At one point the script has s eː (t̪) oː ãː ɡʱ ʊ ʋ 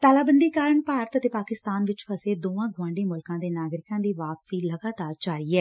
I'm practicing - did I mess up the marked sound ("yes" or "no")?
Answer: yes